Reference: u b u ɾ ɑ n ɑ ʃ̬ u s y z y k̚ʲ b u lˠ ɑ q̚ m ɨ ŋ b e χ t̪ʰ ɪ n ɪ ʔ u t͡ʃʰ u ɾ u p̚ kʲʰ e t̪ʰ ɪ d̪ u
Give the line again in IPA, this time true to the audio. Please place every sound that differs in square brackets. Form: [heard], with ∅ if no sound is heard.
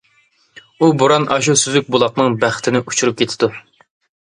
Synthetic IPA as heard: u b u ɾ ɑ n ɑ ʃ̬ u s y z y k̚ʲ b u lˠ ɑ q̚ [n] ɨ ŋ b [æ] χ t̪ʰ ɪ n ɪ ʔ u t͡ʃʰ u ɾ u p̚ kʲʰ e t̪ʰ ɪ d̪ u

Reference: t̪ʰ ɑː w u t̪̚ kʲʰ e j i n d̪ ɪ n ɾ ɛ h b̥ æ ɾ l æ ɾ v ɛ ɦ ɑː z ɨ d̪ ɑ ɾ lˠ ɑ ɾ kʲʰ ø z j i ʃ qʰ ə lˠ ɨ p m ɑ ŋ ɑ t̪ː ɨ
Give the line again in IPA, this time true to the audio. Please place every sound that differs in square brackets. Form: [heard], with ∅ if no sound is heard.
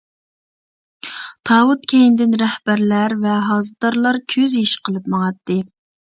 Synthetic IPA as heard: t̪ʰ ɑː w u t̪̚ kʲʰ e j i n d̪ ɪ n ɾ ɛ h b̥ æ ɾ l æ ɾ v ɛ ɦ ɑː z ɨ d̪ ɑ ɾ lˠ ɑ ɾ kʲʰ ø z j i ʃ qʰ ə lˠ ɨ p m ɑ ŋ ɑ t̪ː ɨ

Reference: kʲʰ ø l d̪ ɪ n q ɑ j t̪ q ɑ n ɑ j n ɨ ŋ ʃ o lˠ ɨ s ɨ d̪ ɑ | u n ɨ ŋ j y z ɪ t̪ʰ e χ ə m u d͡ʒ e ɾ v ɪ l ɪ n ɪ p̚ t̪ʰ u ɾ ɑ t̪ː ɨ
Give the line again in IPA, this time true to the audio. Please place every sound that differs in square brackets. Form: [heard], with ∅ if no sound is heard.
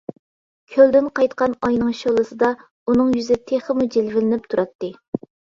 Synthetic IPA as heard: kʲʰ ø l d̪ ɪ n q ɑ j t̪ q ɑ n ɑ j n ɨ ŋ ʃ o lˠ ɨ s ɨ d̪ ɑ | u n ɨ ŋ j y z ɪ t̪ʰ e χ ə m u d͡ʒ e [l] v ɪ l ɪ n ɪ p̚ t̪ʰ u ɾ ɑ t̪ː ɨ

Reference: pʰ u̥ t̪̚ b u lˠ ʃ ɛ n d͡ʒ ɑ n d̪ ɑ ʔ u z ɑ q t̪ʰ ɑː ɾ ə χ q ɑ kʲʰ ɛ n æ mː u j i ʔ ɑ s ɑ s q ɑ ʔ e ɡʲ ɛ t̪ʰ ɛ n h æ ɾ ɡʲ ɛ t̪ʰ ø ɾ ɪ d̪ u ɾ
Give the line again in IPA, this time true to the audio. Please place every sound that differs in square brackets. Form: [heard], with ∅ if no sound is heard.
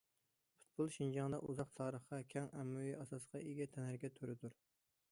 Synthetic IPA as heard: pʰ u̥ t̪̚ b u lˠ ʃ [i] n d͡ʒ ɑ [ŋ] d̪ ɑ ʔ u z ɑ q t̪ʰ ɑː ɾ ə χ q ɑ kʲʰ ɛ [ŋ] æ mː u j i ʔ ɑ s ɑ s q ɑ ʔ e ɡʲ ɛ t̪ʰ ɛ n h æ ɾ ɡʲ ɛ t̪ʰ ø ɾ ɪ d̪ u ɾ

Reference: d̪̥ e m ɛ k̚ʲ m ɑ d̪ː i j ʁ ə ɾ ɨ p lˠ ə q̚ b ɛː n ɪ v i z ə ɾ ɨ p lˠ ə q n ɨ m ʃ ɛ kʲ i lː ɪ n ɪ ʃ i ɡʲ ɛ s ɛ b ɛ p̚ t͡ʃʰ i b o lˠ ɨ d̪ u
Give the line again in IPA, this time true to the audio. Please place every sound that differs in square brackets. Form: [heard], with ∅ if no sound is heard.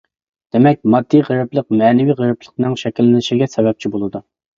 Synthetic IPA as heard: d̪̥ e m ɛ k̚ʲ m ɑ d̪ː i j ʁ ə ɾ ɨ p lˠ ə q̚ [m] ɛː n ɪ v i [ʁ] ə ɾ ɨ p lˠ ə q n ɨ [ŋ] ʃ ɛ kʲ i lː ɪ n ɪ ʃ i ɡʲ ɛ s ɛ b ɛ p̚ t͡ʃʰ i b o lˠ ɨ d̪ u

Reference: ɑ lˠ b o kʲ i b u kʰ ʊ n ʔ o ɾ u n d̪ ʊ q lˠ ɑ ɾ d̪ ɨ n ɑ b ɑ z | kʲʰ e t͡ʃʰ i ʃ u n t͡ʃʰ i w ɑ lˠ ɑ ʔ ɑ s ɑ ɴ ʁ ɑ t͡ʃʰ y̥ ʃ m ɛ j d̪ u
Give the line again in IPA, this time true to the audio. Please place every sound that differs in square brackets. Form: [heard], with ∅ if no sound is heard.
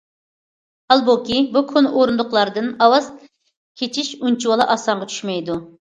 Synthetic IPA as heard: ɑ lˠ b o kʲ i b u kʰ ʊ n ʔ o ɾ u n d̪ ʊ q lˠ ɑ ɾ d̪ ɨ n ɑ [w] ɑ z | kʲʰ e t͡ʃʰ i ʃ u n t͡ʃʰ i w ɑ lˠ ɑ ʔ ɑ s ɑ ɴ ʁ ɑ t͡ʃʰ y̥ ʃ m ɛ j d̪ u

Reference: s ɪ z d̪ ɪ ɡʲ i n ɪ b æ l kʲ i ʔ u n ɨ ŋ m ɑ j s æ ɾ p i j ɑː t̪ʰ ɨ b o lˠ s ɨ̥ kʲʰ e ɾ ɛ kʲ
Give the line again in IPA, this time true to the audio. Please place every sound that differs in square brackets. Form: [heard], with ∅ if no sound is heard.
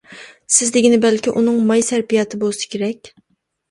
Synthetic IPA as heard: s ɪ z d̪ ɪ ɡʲ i n ɪ b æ l kʲ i ʔ u n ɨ ŋ m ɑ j s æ ɾ p i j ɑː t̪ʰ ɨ b o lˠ s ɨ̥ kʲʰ e ɾ ɛ kʲ

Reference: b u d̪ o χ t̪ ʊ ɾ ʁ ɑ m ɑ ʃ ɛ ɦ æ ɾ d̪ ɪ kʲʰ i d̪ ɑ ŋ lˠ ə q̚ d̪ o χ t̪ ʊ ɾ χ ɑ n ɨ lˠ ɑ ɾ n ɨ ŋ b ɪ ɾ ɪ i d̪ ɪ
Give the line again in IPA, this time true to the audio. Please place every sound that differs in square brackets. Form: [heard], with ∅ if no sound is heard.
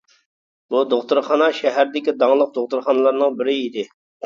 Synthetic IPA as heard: b u d̪ o χ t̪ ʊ ɾ [χ] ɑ [n] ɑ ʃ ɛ ɦ æ ɾ d̪ ɪ [kʲ] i d̪ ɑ ŋ lˠ ə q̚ d̪ o χ t̪ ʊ ɾ χ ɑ n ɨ lˠ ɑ ɾ n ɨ ŋ b ɪ ɾ ɪ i d̪ ɪ

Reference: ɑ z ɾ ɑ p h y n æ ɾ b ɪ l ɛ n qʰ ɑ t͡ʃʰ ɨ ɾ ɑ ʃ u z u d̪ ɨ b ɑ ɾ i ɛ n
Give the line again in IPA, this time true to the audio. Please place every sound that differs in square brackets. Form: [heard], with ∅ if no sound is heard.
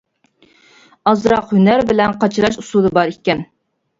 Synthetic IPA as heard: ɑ z ɾ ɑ [q] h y n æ ɾ b ɪ l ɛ n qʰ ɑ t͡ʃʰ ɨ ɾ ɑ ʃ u [s] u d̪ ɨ b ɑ ɾ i ɛ n

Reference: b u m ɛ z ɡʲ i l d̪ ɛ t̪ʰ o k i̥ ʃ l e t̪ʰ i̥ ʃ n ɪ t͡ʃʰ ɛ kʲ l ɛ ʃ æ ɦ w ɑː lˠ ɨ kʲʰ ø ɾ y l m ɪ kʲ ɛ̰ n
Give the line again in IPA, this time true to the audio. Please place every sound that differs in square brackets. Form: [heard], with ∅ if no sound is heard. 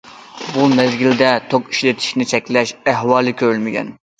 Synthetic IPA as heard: b u m ɛ z ɡʲ i l d̪ ɛ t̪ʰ o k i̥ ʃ l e t̪ʰ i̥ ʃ n ɪ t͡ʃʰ ɛ kʲ l ɛ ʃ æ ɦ w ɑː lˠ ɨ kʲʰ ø ɾ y l m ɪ [ɡʲ] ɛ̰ n

